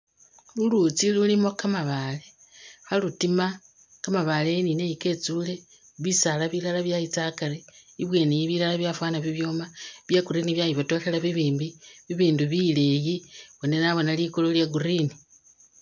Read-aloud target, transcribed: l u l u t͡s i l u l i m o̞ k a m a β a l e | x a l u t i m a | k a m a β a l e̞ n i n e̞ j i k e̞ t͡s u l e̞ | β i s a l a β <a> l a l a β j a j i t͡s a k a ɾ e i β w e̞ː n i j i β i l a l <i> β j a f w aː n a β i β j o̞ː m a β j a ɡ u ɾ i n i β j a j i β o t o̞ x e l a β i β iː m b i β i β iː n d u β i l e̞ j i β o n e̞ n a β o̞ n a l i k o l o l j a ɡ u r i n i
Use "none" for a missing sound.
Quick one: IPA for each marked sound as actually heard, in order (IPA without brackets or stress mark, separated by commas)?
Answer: i, a